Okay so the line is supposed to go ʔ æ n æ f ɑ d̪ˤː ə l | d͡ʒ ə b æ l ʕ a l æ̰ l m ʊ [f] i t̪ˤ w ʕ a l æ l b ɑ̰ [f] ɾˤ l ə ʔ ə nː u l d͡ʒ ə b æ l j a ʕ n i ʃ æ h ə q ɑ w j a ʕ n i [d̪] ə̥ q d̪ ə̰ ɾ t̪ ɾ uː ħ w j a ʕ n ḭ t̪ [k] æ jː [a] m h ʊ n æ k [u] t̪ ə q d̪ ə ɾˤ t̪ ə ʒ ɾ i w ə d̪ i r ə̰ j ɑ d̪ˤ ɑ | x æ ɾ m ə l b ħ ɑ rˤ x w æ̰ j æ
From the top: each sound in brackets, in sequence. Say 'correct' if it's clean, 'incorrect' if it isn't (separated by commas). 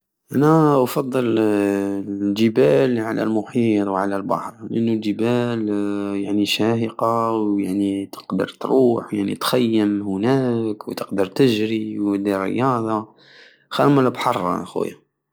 incorrect, incorrect, incorrect, incorrect, incorrect, incorrect